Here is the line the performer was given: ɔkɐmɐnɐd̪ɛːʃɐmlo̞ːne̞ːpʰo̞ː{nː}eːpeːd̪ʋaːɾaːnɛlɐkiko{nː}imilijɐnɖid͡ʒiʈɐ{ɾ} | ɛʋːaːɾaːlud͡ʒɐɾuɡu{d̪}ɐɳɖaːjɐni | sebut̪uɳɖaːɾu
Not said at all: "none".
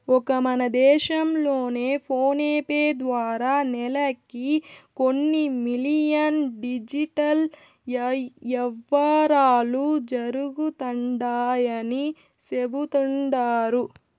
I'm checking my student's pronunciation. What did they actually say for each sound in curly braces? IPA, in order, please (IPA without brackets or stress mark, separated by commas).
n, nː, l, t̪